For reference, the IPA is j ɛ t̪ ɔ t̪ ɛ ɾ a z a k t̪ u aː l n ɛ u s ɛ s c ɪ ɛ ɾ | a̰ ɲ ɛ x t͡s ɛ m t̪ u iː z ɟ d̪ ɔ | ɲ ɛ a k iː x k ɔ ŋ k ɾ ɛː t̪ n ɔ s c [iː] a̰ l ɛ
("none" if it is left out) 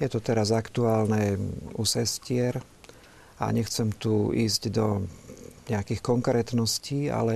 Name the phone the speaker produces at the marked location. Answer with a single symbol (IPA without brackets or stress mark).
iː